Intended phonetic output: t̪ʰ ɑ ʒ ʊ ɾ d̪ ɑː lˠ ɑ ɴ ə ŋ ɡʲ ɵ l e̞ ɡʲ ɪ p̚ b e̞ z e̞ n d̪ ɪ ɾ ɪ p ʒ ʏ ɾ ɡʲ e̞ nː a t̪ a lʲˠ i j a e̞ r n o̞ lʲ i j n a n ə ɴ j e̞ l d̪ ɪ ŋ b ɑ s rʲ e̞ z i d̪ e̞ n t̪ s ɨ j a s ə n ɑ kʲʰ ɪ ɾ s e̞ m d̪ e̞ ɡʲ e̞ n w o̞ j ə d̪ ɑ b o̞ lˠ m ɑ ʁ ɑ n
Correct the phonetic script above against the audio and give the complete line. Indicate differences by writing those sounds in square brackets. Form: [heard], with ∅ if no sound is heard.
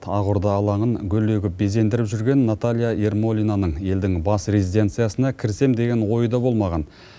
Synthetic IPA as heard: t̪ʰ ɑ [ʁ] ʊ ɾ d̪ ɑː lˠ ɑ ɴ ə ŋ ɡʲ ɵ l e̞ ɡʲ ɪ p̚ b e̞ z e̞ n d̪ ɪ ɾ ɪ p ʒ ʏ ɾ ɡʲ e̞ nː a t̪ a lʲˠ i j a e̞ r [m] o̞ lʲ i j n a n ə ɴ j e̞ l d̪ ɪ ŋ b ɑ s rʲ e̞ z i d̪ e̞ n t̪ s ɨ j a s ə n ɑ kʲʰ ɪ ɾ s e̞ m d̪ e̞ ɡʲ e̞ n w o̞ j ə d̪ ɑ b o̞ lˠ m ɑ ʁ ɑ n